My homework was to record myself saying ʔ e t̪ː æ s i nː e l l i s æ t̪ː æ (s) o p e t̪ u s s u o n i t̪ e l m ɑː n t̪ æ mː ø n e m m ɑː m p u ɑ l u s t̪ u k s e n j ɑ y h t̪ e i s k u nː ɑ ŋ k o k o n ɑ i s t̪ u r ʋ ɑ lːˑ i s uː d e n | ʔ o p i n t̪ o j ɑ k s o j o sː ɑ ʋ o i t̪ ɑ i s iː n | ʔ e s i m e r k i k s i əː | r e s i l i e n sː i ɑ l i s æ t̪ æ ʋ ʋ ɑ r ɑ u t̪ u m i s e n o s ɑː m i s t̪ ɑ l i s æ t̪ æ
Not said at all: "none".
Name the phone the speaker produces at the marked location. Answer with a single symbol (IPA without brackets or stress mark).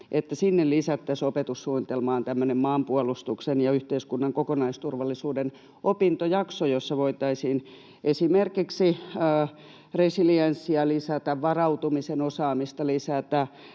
s